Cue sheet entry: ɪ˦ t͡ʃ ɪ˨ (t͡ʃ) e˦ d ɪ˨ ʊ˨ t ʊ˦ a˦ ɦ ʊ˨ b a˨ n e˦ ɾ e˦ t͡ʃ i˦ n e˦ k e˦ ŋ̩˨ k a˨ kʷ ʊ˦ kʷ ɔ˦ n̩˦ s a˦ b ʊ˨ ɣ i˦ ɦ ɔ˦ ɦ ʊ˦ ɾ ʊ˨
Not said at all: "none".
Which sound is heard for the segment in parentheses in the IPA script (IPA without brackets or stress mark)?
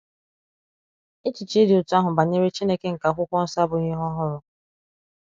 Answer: t͡ʃ